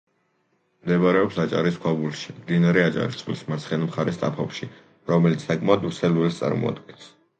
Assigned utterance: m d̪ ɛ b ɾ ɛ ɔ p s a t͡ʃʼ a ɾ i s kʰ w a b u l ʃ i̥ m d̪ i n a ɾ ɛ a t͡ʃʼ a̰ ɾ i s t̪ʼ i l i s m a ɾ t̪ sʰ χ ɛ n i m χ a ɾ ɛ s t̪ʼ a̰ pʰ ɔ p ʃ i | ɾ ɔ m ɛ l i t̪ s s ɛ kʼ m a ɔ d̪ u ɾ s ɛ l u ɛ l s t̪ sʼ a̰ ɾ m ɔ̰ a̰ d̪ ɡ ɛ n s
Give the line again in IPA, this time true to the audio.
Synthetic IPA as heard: m d̪ ɛ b ɾ ɛ ɔ p s a t͡ʃʼ a ɾ i s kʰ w a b u l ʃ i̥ m d̪ i n a ɾ ɛ a t͡ʃʼ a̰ ɾ i s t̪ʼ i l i s m a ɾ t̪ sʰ χ ɛ n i m χ a ɾ ɛ s t̪ʼ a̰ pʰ ɔ p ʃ i | ɾ ɔ m ɛ l i t̪ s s a kʼ m a ɔ d̪ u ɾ s ɛ l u ɛ l s t̪ sʼ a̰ ɾ m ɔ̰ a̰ d̪ ɡ ɛ n s